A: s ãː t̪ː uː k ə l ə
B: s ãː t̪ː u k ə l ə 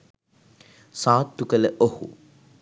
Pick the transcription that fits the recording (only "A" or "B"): B